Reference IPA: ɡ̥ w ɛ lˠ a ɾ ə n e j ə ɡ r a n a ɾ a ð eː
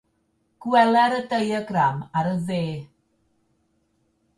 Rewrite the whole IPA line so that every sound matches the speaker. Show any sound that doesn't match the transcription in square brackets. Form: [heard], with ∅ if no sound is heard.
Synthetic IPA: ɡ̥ w ɛ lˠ [ɛ] ɾ ə [d] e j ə ɡ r a [m] a ɾ [ə] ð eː